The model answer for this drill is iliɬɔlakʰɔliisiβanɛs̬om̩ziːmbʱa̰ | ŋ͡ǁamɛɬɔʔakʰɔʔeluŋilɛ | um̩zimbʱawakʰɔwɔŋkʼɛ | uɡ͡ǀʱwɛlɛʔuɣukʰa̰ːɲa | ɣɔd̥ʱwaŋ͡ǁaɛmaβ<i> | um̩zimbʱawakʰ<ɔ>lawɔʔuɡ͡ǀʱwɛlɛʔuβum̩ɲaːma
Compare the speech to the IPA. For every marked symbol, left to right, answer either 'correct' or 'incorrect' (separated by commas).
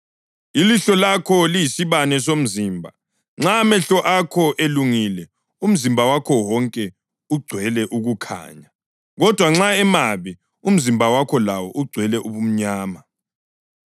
correct, correct